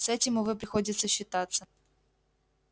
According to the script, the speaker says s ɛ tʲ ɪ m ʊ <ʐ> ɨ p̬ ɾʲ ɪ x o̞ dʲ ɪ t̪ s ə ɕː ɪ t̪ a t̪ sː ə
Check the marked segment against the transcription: incorrect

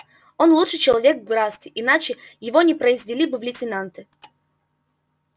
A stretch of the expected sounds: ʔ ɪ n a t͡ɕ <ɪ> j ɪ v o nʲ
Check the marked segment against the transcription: correct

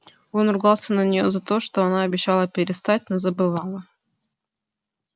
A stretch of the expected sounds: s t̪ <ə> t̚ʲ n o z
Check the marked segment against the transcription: incorrect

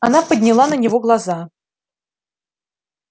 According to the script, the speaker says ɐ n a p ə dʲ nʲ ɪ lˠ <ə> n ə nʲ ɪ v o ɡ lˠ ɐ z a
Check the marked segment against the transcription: incorrect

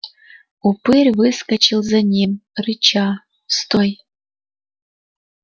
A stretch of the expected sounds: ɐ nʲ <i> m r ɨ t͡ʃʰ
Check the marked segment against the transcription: correct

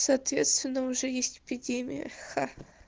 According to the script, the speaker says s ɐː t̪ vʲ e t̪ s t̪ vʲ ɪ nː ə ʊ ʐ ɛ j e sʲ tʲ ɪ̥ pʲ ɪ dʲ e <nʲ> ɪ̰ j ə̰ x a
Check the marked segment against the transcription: incorrect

